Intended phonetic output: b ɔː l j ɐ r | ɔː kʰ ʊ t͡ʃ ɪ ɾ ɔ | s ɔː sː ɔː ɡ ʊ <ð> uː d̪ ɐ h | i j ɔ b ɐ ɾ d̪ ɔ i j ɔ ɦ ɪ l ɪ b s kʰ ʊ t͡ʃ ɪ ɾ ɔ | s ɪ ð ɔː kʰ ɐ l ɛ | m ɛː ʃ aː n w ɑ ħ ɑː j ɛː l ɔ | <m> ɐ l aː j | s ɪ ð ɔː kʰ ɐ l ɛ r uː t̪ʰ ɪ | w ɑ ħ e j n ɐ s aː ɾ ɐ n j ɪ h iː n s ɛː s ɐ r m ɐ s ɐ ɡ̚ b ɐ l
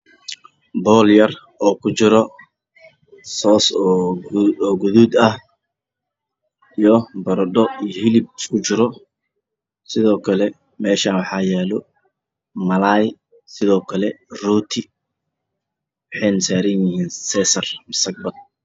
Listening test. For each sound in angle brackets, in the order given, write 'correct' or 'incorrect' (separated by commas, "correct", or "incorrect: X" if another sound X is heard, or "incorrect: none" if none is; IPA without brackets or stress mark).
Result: correct, correct